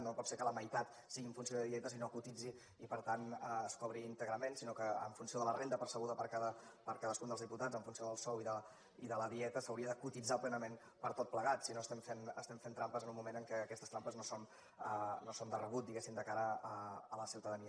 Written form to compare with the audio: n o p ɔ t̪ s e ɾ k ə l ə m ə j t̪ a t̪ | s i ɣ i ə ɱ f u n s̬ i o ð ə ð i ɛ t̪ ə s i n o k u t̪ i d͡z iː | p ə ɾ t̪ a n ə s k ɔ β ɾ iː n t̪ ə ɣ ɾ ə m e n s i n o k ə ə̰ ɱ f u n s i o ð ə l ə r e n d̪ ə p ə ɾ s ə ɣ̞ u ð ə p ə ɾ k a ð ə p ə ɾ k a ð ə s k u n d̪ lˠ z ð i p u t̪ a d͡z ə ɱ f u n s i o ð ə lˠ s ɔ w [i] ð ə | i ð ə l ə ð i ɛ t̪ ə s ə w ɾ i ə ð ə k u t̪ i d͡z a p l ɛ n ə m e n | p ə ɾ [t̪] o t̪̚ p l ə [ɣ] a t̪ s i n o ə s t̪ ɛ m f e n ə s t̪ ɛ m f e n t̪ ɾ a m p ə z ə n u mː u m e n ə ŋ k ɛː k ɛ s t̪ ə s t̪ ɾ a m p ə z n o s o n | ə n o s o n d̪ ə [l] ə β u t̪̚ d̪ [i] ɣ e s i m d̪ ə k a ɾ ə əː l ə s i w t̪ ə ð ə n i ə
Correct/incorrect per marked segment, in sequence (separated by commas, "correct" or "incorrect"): correct, correct, correct, incorrect, correct